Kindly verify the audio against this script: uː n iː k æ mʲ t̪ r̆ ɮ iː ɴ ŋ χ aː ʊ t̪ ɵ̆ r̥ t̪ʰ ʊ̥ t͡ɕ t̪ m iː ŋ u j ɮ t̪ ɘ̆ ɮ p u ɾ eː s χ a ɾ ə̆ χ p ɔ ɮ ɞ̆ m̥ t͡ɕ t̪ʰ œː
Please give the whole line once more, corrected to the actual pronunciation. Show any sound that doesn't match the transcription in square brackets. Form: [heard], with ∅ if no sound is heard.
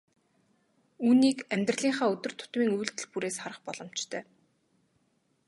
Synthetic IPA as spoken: uː n iː k æ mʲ t̪ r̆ ɮ iː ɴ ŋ χ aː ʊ t̪ ɵ̆ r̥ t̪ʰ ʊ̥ [∅] t̪ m iː ŋ u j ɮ t̪ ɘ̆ ɮ p u ɾ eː s χ a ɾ ə̆ χ p ɔ ɮ ɞ̆ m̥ t͡ɕ t̪ʰ œː